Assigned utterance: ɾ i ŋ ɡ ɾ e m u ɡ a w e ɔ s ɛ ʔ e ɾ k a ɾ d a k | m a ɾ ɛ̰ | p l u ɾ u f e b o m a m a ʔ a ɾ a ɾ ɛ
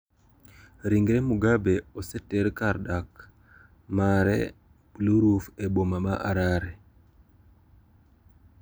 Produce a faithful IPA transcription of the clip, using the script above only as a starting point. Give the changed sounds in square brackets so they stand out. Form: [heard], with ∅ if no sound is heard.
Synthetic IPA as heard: ɾ i ŋ ɡ ɾ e m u ɡ a [b] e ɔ s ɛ [t] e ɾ k a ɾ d a k | m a ɾ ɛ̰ | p l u ɾ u f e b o m a m a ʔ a ɾ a ɾ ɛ

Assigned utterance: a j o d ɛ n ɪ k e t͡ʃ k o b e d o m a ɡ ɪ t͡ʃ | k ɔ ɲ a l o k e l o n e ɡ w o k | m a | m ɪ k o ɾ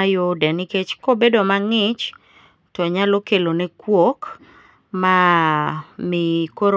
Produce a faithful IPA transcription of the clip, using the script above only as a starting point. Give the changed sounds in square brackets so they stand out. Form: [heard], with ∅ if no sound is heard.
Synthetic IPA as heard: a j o d ɛ n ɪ k e t͡ʃ k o b e d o m a [ŋ] ɪ t͡ʃ | [t] ɔ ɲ a l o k e l o n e [k] w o k | m a | m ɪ k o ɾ

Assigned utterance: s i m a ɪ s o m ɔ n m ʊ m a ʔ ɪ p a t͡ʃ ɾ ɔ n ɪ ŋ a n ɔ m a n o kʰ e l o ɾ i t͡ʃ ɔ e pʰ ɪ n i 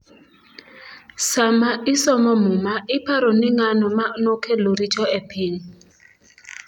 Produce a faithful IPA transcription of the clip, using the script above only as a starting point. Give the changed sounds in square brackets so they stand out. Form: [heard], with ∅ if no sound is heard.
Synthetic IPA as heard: s [a] m a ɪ s [ɔ] m ɔ [∅] m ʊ m a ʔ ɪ p a [∅] ɾ ɔ n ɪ ŋ a n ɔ m a n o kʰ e l o ɾ i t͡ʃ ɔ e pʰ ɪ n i

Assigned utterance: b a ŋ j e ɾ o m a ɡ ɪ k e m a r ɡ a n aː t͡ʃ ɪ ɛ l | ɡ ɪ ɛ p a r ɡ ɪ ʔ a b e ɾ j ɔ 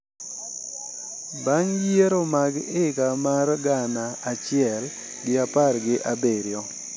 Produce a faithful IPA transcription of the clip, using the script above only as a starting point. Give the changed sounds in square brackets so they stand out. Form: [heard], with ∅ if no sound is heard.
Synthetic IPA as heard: b a ŋ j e ɾ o m a ɡ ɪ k [a] m a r ɡ a n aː t͡ʃ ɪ ɛ l | ɡ ɪ [a] p a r ɡ ɪ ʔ a b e ɾ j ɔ

